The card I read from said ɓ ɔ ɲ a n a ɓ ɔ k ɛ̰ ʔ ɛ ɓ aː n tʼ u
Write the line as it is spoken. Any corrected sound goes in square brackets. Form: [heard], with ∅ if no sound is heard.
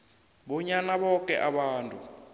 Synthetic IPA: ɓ ɔ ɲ a n a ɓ ɔ k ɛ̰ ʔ [a] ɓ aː n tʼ u